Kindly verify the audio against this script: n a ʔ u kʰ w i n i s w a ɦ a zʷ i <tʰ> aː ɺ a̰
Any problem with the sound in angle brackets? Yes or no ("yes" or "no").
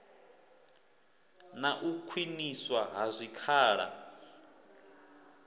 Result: yes